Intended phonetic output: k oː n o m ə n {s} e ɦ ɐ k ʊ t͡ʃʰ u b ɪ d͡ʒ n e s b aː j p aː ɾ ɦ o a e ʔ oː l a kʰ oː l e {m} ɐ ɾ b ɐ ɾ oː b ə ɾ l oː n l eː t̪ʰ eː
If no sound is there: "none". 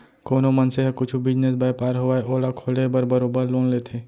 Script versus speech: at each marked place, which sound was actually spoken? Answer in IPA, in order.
s, b

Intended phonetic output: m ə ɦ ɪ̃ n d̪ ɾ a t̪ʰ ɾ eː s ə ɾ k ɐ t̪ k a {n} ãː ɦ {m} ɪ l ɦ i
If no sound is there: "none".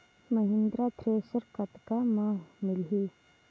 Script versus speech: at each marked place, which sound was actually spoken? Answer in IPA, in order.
m, m

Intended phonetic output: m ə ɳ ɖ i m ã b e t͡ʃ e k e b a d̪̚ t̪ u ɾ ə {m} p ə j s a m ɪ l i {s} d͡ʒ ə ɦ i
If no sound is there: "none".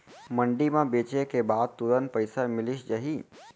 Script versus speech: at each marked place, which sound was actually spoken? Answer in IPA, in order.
n, ʃ

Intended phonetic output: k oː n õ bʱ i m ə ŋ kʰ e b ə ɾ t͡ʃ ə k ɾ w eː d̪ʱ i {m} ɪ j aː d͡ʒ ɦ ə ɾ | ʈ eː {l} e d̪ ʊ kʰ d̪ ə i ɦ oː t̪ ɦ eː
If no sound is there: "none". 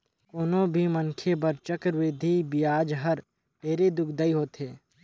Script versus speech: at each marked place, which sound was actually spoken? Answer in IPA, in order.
b, ɾ

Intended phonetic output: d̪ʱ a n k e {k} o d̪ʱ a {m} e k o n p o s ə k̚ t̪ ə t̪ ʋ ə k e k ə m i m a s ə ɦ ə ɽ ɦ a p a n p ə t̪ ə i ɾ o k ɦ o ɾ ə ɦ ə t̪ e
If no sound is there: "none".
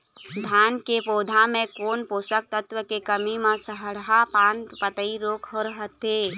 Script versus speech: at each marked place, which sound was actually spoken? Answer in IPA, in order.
p, m

